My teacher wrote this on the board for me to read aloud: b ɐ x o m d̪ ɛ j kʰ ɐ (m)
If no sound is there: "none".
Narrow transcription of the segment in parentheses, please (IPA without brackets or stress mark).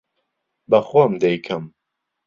m